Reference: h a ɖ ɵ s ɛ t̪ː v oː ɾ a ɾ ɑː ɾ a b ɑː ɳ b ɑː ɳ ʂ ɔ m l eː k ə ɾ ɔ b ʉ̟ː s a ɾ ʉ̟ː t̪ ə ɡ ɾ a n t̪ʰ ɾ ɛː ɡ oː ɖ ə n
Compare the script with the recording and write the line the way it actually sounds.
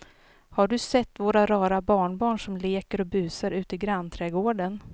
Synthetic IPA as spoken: h a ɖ ɵ s ɛ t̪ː v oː ɾ a ɾ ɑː ɾ a b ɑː ɳ b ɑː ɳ ʂ ɔ m l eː k ə ɾ ɔ b ʉ̟ː s a ɾ ʉ̟ː t̪ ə ɡ ɾ a n t̪ʰ ɾ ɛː ɡ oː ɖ ə n